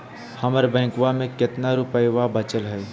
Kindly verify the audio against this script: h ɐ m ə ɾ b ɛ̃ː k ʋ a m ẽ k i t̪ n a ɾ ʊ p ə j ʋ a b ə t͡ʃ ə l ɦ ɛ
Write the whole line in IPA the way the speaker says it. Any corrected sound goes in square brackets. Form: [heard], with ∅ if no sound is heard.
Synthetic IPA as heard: h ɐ m ə ɾ b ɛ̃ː k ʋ a m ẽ k [ɪ] t̪ n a ɾ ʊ p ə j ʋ a b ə t͡ʃ ə l ɦ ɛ